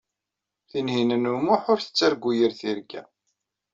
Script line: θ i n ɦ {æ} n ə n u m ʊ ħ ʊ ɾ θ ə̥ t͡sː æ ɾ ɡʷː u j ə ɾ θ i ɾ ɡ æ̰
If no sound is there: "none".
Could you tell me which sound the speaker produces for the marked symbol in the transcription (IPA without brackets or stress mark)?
i